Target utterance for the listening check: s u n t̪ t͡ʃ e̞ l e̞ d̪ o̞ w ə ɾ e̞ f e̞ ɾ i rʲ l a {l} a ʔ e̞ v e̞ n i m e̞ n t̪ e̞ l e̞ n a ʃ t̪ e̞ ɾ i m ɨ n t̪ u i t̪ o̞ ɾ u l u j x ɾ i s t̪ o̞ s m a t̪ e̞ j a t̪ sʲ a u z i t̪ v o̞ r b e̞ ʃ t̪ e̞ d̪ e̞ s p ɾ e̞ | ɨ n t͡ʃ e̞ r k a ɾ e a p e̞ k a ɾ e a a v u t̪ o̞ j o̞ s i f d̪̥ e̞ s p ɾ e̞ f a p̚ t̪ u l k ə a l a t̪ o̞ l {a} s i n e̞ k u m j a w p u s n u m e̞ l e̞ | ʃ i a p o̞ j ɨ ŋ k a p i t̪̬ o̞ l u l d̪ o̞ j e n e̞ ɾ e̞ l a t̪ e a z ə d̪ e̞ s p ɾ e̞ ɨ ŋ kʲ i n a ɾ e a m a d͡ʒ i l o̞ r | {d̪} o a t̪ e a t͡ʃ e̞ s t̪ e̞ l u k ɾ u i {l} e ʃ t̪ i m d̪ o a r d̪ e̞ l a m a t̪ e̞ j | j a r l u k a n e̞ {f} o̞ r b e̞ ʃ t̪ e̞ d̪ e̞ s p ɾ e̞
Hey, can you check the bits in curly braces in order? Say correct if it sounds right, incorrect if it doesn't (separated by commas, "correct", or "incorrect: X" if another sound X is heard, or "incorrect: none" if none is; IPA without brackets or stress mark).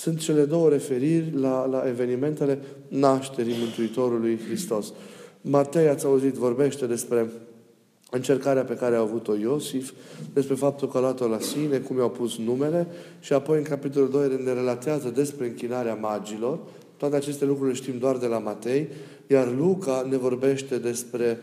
correct, correct, incorrect: t̪, correct, incorrect: v